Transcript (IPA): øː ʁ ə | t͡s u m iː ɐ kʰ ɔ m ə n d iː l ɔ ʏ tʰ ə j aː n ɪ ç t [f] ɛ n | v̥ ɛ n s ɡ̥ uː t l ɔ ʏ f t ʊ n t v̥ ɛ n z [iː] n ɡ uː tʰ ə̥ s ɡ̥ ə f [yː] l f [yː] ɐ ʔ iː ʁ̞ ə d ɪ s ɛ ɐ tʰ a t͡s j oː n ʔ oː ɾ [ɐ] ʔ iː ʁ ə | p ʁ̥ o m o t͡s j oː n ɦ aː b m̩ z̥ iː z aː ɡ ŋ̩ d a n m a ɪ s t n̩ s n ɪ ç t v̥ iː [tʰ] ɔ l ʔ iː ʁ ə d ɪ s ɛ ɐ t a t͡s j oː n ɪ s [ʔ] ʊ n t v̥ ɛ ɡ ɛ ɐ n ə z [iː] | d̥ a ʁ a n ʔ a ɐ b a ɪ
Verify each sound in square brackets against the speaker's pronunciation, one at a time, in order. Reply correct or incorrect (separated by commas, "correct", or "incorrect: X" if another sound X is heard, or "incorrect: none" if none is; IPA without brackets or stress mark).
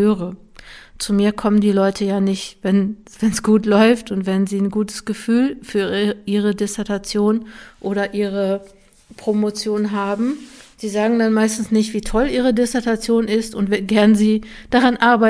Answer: incorrect: v, correct, correct, correct, correct, correct, incorrect: t, correct